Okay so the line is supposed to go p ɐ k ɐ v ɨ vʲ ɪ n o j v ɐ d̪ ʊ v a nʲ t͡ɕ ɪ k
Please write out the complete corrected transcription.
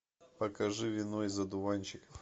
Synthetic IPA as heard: p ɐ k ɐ ʐ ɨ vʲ ɪ n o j z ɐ d̪ ʊ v a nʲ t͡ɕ ɪ k